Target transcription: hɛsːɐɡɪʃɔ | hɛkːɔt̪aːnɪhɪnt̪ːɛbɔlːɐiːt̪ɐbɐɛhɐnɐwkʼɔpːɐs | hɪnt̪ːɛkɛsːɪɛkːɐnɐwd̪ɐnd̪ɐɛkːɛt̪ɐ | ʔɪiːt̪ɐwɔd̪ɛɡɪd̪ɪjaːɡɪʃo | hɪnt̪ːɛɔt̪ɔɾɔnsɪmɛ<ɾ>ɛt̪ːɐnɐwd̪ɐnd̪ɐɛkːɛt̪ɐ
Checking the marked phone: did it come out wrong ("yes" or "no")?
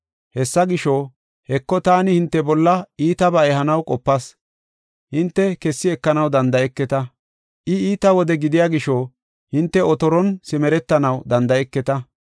no